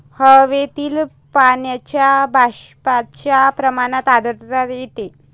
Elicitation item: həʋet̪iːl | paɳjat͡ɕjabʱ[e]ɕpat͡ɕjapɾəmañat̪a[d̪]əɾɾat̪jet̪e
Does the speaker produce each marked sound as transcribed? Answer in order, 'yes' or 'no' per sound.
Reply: no, yes

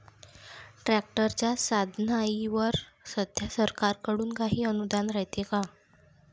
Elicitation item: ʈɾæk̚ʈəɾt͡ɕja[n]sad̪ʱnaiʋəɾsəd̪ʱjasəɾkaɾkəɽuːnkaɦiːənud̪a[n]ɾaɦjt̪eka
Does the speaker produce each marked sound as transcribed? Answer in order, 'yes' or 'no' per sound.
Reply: no, yes

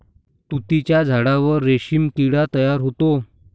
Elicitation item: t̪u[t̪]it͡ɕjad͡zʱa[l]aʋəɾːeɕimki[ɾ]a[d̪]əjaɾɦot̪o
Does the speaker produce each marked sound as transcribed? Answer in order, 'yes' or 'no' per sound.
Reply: yes, no, no, no

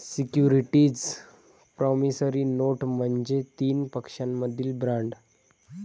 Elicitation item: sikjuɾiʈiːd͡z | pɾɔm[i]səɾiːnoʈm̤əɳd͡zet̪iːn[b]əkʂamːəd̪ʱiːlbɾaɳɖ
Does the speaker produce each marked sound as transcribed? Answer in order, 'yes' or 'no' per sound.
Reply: yes, no

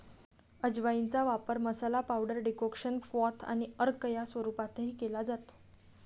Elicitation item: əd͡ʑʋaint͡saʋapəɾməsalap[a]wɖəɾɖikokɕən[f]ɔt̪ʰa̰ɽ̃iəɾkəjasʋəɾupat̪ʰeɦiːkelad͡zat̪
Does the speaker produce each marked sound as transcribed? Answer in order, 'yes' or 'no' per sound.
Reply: yes, yes

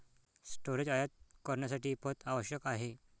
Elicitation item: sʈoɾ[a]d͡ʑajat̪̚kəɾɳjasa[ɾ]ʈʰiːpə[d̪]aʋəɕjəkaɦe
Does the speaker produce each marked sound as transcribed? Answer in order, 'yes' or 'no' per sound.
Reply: no, no, no

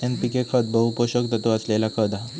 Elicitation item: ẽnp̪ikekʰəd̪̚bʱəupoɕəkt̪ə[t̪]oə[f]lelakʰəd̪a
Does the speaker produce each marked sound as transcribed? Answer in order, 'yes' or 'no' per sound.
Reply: yes, no

